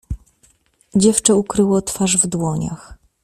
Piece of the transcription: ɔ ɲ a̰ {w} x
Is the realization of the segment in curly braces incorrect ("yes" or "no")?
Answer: yes